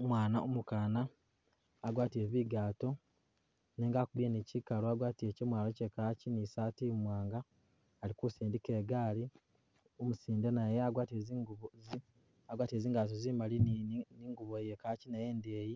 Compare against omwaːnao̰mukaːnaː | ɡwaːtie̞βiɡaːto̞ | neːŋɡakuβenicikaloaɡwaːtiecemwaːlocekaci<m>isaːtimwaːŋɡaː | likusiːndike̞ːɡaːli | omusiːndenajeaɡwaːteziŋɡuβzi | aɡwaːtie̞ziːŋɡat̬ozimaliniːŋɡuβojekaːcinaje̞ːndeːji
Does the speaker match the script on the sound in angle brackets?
no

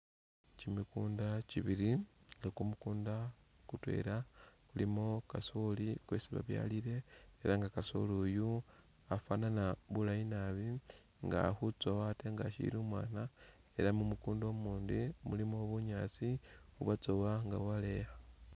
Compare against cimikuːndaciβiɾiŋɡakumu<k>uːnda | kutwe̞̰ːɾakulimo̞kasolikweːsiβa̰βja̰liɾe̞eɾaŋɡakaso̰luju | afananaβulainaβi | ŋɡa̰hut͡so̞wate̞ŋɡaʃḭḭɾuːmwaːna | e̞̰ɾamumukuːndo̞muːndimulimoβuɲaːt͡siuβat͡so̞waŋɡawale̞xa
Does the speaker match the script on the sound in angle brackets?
yes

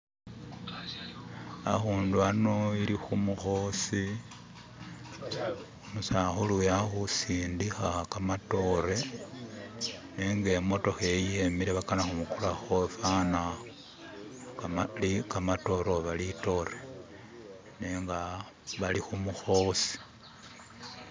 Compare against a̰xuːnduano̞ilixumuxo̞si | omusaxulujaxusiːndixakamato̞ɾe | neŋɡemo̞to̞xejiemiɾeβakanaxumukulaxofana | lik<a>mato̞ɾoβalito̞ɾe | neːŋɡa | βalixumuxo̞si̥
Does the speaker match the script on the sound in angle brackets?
yes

